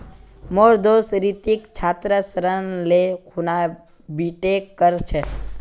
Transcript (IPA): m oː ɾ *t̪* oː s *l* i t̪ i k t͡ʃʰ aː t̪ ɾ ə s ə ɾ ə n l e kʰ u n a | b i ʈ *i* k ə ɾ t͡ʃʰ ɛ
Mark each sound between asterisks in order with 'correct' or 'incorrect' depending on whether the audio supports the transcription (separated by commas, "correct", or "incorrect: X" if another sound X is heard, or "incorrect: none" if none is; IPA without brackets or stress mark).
incorrect: d̪, incorrect: ɾ, incorrect: e